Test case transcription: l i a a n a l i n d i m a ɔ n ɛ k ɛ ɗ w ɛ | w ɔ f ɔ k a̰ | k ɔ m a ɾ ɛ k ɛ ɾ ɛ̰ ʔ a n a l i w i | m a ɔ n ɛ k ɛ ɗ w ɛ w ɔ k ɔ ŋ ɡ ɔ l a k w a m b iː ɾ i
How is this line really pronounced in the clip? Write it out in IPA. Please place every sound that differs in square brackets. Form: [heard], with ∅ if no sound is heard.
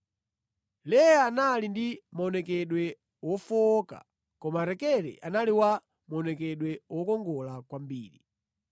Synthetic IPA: l [ɛ] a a n a l i n d i m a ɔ n ɛ k ɛ ɗ w ɛ | w ɔ f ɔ k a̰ | k ɔ m a ɾ ɛ k ɛ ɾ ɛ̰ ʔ a n a l i w [a] | m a ɔ n ɛ k ɛ ɗ w ɛ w ɔ k ɔ ŋ ɡ ɔ l a k w a m b iː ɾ i

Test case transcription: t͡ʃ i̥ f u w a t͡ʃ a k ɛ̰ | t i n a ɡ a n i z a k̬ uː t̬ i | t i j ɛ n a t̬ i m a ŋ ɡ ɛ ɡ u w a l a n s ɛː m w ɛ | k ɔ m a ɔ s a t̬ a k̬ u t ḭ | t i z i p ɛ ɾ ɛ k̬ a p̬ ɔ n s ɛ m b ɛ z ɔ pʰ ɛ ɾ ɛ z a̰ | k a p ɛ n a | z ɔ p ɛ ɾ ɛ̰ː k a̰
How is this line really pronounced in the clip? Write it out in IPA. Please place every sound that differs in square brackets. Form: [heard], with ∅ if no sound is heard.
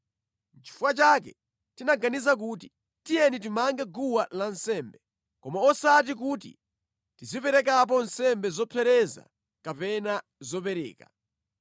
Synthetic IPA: t͡ʃ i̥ f u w a t͡ʃ a k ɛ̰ | t i n a ɡ a n i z a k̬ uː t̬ i | t i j ɛ n [i] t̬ i m a ŋ ɡ ɛ ɡ u w a l a n s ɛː m [b] ɛ | k ɔ m a ɔ s a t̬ [i] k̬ u t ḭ | t i z i p ɛ ɾ ɛ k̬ a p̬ ɔ n s ɛ m b ɛ z ɔ pʰ ɛ ɾ ɛ z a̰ | k a p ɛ n a | z ɔ p ɛ ɾ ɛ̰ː k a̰

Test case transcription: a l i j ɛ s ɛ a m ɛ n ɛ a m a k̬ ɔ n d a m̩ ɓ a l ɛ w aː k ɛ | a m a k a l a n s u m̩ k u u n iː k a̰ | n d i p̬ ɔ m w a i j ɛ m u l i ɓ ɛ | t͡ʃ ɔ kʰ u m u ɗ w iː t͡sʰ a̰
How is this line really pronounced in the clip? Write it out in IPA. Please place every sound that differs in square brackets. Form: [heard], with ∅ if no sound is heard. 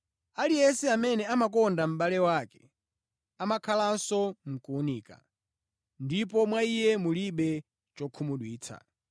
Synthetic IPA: a l i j ɛ s ɛ a m ɛ n ɛ a m a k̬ ɔ n d a m̩ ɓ a l ɛ w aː k ɛ | a m a [kʰ] a l a n s [ɔ] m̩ k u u n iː k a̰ | n d i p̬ ɔ m w a i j ɛ m u l i ɓ ɛ | t͡ʃ ɔ kʰ u m u ɗ w iː t͡sʰ a̰

